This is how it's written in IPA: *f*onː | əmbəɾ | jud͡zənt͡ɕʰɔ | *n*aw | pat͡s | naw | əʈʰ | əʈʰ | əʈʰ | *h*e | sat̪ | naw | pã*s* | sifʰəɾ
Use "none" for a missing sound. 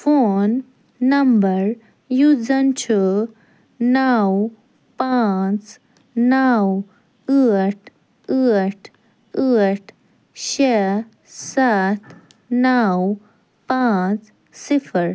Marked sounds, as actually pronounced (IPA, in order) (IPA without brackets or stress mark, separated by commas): f, n, ɕ, t͡s